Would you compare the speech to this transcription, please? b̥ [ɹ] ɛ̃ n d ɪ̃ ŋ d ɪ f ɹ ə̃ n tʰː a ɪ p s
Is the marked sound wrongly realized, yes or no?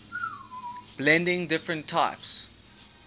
yes